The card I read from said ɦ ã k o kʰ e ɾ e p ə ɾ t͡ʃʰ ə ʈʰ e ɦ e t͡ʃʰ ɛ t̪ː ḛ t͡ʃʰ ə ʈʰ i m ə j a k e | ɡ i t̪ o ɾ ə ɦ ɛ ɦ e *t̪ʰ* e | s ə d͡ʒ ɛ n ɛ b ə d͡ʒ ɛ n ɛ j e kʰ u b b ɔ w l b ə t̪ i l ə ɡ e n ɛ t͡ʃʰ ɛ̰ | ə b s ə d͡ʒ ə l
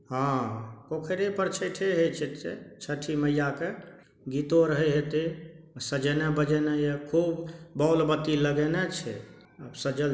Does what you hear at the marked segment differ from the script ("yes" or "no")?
yes